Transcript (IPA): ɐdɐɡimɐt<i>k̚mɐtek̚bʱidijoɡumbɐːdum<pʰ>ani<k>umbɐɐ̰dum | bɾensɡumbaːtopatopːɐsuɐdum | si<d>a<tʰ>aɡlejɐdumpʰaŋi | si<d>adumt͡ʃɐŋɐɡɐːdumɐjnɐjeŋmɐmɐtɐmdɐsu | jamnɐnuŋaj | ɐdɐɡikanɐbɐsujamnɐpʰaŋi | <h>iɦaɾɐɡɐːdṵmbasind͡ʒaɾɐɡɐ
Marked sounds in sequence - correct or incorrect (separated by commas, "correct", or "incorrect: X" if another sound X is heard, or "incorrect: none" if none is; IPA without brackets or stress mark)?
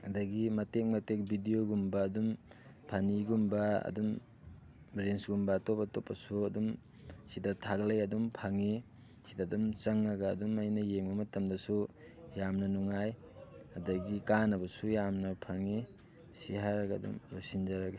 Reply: incorrect: e, correct, incorrect: ɡ, correct, correct, correct, incorrect: s